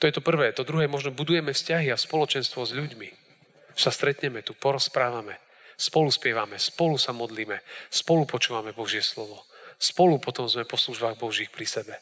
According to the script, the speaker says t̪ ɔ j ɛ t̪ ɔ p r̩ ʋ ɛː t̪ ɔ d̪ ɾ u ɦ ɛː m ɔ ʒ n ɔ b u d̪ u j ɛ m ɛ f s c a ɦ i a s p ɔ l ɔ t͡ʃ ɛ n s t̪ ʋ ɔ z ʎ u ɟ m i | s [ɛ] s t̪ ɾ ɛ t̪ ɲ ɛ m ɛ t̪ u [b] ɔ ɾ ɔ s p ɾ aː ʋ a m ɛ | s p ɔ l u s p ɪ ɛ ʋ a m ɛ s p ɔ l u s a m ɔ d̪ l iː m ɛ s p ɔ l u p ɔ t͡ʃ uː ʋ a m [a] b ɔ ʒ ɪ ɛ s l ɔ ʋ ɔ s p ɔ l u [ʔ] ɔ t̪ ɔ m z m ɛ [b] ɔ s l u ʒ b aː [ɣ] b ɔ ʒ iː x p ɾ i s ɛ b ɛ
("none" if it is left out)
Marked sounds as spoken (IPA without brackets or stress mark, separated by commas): a, p, ɛ, p, p, ɣ